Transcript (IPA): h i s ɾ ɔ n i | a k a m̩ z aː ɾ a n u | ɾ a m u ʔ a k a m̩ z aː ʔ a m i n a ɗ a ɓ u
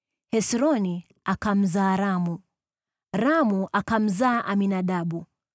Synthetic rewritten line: h ɛ s ɾ ɔ n i | a k a m̩ z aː ɾ a m u | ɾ a m u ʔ a k a m̩ z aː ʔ a m i n a ɗ a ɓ u